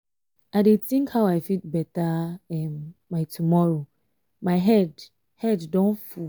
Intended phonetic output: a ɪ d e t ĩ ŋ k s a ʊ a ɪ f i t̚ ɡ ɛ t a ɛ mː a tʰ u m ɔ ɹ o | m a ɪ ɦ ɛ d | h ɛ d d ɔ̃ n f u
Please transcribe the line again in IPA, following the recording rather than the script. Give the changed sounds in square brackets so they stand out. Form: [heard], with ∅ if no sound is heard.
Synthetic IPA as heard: a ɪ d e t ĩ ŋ k [h] a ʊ a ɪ f i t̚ [b] ɛ t a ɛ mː a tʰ u m ɔ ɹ o | m a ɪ ɦ ɛ d | h ɛ d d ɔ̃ n f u